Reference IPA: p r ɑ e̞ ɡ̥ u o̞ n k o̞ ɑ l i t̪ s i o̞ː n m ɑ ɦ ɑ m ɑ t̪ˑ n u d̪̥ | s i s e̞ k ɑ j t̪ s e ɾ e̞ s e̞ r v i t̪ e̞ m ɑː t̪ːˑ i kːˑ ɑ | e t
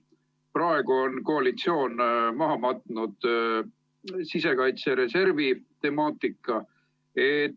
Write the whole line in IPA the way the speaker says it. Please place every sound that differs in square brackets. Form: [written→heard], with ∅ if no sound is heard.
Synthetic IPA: p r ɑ e̞ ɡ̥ u o̞ n k o̞ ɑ l i t̪ s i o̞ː n m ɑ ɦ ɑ m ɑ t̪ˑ n u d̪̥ | s i s e̞ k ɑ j t̪ s e ɾ e̞ s e̞ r v i t̪ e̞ m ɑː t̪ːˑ i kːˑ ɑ | e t

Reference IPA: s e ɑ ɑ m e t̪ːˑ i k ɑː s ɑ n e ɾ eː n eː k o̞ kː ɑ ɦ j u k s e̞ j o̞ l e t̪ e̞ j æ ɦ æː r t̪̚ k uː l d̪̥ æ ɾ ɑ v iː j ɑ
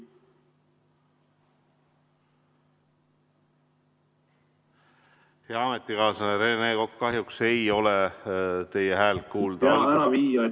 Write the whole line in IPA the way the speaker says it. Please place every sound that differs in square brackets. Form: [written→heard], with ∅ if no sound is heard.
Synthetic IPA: [s→h] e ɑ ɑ m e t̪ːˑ i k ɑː s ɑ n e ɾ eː n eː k o̞ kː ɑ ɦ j u k s e̞ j o̞ l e t̪ e̞ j [æ→e] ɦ æː [r→l] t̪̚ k uː l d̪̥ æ ɾ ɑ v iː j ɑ

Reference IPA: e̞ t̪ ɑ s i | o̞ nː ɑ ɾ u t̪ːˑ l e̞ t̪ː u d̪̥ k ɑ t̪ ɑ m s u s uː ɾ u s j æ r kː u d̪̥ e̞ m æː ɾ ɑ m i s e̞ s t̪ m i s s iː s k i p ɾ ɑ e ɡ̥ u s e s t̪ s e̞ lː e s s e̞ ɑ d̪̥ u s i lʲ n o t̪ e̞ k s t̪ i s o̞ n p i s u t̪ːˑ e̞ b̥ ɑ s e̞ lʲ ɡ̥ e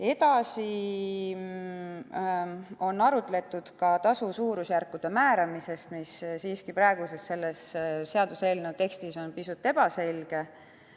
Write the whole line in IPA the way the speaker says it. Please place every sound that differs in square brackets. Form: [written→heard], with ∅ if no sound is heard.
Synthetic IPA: e̞ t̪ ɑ s i | o̞ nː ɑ ɾ u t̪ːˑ l e̞ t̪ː u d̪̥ k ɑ t̪ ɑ [m→∅] s u s uː ɾ u s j æ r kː u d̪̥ e̞ m æː ɾ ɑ m i s e̞ s t̪ m i s s iː s k i p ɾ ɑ e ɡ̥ u s e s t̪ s e̞ lː e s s e̞ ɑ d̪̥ u s [i→e] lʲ n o t̪ e̞ k s t̪ i s o̞ n p i s u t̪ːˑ e̞ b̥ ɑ s e̞ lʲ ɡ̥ e

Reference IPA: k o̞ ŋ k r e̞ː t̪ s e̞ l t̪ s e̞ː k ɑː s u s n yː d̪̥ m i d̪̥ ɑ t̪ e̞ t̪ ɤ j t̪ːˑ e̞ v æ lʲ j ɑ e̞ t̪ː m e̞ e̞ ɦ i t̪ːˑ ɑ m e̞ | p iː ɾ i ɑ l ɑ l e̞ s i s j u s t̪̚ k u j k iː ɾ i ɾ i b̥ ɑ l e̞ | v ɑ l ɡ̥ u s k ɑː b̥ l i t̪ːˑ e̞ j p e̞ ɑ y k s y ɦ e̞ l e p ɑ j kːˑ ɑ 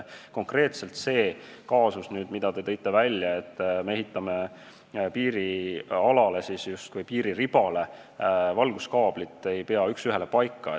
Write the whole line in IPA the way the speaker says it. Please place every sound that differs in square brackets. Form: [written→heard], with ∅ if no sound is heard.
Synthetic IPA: k o̞ ŋ k r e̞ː t̪ s e̞ l t̪ s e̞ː k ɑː s u s n yː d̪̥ m i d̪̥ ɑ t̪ e̞ t̪ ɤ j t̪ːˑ e̞ v æ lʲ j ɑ e̞ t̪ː m e̞ e̞ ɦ i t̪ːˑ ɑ m e̞ | p iː ɾ i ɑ l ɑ l e̞ s i s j u s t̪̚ k u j [k→p] iː ɾ i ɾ i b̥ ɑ l e̞ | v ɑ l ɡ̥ u s k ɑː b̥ l i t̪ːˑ e̞ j p e̞ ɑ y k s y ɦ e̞ l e p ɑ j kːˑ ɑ

